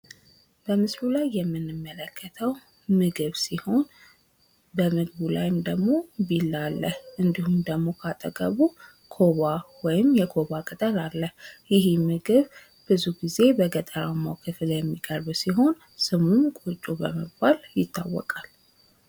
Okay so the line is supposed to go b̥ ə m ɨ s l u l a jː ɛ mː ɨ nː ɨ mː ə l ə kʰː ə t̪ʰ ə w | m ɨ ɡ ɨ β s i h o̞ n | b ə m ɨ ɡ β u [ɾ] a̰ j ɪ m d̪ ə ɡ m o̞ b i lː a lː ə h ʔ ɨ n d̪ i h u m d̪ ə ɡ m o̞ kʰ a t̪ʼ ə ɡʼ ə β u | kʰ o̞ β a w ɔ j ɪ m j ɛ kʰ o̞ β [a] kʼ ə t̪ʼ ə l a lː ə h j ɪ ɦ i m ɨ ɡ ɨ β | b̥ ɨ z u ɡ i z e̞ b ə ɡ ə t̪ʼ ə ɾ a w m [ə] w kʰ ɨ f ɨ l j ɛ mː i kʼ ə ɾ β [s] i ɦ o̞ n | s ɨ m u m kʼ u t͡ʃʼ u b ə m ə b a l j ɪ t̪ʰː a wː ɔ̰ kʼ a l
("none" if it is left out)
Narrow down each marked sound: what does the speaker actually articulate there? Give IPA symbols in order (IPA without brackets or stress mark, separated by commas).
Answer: l, a, a, s